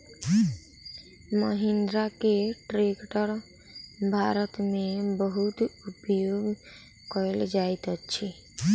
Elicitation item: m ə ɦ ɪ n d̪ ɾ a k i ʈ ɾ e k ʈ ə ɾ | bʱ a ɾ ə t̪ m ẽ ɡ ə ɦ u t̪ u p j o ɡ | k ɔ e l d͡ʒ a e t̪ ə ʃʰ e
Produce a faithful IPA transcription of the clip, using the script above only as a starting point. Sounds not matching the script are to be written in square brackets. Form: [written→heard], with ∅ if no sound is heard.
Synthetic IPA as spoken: m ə ɦ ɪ n d̪ ɾ a k [i→e] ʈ ɾ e k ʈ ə ɾ | bʱ a ɾ ə t̪ m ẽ [ɡ→b] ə ɦ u t̪ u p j o ɡ | k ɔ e l d͡ʒ a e t̪ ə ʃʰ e

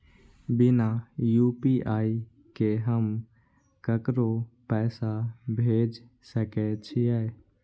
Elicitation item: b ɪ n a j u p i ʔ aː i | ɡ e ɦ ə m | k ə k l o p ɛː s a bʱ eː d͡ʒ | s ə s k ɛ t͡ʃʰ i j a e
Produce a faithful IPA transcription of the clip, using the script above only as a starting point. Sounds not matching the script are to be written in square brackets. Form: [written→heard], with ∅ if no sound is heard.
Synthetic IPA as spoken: b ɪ n a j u p i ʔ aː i | [ɡ→k] e ɦ ə m | k ə k [l→ɾ] o p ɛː s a bʱ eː d͡ʒ | s ə [s→∅] k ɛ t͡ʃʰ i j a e

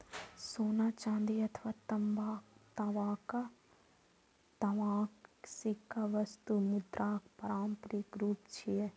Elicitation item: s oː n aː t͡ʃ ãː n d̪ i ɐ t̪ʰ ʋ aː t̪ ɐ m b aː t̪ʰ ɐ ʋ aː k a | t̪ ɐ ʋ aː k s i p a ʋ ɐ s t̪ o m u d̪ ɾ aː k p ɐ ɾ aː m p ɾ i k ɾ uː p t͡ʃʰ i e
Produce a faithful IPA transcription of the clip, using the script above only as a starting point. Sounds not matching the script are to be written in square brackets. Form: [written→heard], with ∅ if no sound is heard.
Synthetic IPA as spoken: s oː n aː t͡ʃ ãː n d̪ i ɐ t̪ʰ ʋ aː t̪ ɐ m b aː [t̪ʰ→t̪] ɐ ʋ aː k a | t̪ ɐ ʋ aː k s i [p→k] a ʋ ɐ s t̪ [o→u] m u d̪ ɾ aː k p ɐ ɾ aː m p ɾ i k ɾ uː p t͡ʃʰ i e

